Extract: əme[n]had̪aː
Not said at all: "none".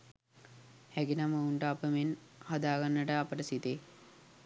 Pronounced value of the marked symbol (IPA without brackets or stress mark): n